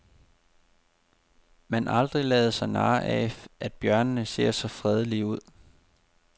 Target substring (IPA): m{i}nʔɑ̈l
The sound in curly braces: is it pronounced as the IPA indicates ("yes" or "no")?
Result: no